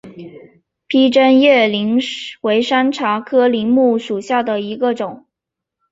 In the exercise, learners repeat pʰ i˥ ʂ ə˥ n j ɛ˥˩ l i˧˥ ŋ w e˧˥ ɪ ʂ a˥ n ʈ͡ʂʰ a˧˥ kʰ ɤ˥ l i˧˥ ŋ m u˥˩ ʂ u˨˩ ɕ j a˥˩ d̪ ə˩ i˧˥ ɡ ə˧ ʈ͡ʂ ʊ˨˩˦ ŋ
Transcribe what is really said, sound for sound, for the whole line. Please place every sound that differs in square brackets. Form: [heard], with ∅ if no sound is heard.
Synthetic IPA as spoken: pʰ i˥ [ʈ͡ʂ] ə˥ n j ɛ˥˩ l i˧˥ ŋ w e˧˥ ɪ ʂ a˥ n ʈ͡ʂʰ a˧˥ kʰ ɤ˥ l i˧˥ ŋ m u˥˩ ʂ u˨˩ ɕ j a˥˩ d̪ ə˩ i˧˥ ɡ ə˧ ʈ͡ʂ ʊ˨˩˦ ŋ